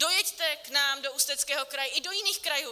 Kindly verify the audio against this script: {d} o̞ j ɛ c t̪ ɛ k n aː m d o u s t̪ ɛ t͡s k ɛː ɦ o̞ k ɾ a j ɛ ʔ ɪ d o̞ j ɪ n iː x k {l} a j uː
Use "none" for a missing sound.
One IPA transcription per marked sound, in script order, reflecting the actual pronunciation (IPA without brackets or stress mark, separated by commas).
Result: d, ɾ